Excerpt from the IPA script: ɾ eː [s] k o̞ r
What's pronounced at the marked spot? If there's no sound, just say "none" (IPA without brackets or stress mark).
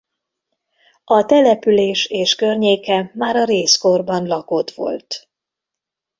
s